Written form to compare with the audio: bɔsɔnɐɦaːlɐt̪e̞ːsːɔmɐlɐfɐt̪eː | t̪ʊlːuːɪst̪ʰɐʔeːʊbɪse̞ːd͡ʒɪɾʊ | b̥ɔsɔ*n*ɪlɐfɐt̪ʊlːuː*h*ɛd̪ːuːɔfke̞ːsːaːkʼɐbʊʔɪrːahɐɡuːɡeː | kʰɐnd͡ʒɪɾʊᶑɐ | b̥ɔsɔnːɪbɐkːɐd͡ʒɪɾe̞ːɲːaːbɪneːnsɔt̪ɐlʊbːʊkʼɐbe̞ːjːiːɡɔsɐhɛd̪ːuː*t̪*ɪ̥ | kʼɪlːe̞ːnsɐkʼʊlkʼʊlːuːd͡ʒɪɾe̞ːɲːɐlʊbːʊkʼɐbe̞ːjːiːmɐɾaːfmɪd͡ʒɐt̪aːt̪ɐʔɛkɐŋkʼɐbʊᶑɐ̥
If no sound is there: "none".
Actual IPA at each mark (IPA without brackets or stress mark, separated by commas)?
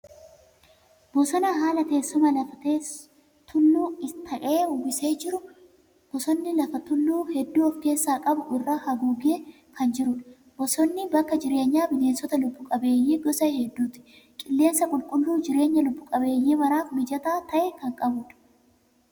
nː, h, t̪